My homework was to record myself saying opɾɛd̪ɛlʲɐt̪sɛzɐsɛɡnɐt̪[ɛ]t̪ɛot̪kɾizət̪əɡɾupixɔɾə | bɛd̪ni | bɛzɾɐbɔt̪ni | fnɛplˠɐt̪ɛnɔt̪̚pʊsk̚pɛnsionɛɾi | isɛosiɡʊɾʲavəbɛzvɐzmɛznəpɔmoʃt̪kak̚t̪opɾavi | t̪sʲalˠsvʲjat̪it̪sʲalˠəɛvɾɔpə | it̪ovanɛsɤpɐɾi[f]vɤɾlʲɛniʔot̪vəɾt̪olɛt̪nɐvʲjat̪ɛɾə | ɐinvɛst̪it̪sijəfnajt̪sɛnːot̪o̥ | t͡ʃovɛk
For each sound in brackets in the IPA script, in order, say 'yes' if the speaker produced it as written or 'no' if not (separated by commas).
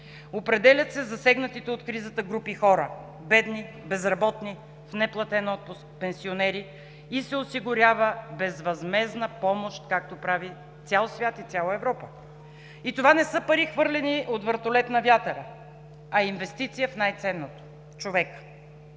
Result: no, no